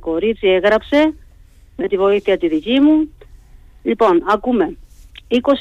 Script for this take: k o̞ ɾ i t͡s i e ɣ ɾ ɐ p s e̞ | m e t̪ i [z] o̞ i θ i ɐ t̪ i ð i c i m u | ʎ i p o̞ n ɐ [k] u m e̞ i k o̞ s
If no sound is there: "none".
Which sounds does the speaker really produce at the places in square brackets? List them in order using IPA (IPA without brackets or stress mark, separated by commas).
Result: v, k